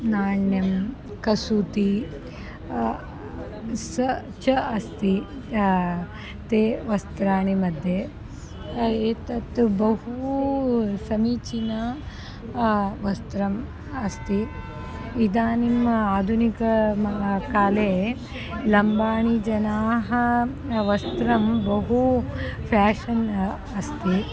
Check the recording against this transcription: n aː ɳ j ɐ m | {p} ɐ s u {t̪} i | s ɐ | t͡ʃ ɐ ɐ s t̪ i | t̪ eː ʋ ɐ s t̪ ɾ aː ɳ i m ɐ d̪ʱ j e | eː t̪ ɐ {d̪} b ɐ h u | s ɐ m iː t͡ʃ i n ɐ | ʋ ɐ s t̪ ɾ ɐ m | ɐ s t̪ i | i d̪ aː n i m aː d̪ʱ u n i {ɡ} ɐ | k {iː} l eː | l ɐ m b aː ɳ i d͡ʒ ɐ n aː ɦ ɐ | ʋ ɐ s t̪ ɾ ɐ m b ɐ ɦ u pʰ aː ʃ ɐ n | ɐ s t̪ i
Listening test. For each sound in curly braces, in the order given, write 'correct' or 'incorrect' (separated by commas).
incorrect, correct, incorrect, incorrect, incorrect